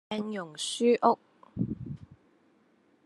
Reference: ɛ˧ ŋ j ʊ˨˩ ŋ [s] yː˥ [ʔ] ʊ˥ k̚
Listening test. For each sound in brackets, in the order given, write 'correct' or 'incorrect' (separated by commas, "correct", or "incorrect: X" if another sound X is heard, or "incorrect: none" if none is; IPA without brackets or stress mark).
correct, correct